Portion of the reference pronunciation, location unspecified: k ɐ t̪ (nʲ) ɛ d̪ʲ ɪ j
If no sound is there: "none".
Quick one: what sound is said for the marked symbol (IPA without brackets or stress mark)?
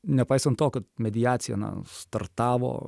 mʲ